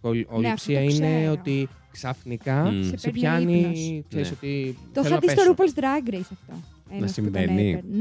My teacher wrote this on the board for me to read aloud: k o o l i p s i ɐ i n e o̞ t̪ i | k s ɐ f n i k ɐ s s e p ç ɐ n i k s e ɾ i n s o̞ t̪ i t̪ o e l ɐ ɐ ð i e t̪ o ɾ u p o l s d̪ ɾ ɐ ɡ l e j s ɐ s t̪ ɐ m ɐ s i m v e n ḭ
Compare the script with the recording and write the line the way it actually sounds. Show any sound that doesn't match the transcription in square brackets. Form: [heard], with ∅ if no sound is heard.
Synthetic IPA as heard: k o o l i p s i ɐ i n e o̞ t̪ i | k s ɐ f n i k ɐ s s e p ç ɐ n i k s e ɾ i [∅] s o̞ t̪ i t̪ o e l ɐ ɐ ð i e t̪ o ɾ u p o l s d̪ ɾ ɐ ɡ [ɾ] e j s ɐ [f] t̪ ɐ [n] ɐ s i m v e n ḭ